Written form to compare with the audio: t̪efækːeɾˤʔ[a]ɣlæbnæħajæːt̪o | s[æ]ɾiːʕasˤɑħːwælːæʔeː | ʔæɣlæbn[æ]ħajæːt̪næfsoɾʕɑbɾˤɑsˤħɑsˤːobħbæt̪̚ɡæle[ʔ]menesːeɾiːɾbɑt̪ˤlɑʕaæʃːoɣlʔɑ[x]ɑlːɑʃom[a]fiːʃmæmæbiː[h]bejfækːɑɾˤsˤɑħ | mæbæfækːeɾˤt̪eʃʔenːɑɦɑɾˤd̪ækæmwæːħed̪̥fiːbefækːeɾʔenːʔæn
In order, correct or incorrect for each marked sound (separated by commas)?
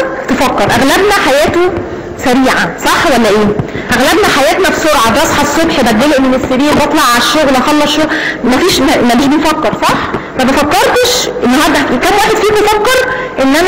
incorrect, correct, correct, correct, correct, incorrect, incorrect